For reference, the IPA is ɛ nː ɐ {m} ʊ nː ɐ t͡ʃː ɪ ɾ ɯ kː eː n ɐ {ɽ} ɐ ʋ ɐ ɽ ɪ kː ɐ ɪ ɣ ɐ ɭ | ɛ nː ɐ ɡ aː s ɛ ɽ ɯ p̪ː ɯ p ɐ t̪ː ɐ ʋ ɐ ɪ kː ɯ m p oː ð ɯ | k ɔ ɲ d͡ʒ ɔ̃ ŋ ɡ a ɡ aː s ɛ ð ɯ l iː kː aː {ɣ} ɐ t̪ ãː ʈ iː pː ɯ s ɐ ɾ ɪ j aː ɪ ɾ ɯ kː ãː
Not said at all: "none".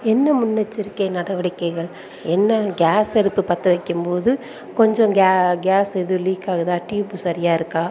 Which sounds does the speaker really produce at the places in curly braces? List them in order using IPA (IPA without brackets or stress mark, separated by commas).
m, ɽ, ɣ